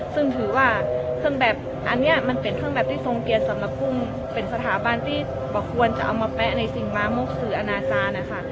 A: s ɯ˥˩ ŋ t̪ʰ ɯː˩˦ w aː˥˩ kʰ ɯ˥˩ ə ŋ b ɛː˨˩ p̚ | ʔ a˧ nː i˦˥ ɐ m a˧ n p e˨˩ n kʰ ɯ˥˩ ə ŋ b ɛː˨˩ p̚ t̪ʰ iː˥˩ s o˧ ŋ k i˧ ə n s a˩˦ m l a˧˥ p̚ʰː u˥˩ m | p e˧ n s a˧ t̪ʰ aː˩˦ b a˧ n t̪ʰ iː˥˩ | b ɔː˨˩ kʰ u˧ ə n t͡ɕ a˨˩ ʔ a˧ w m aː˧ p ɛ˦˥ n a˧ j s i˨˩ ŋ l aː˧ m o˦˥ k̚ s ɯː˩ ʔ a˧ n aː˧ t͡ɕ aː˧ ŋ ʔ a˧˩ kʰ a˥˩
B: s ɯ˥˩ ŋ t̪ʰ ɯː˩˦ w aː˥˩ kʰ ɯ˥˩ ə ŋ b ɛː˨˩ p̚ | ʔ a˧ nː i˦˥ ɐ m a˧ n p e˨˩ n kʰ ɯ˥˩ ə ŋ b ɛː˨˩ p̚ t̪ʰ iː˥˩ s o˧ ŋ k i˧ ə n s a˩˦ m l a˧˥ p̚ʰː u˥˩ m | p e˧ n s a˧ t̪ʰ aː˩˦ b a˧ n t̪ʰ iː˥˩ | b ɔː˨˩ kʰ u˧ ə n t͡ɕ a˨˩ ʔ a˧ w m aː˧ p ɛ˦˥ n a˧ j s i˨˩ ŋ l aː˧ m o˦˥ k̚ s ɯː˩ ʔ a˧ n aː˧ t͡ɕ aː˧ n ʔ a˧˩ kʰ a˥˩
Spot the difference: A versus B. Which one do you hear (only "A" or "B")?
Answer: B